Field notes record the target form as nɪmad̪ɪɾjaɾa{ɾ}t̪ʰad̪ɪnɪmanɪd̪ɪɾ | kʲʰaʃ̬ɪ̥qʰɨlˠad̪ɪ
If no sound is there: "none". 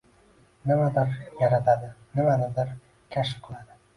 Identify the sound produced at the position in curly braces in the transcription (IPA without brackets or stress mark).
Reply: none